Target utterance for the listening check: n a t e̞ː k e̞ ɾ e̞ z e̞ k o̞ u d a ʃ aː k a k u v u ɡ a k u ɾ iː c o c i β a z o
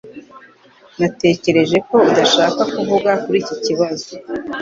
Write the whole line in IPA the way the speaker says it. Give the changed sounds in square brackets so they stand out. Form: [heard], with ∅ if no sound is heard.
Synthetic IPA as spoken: n a t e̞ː [c] e̞ ɾ e̞ [ʒ] e̞ k o̞ u d a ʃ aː k a k u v u ɡ a k u ɾ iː c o c i β a z o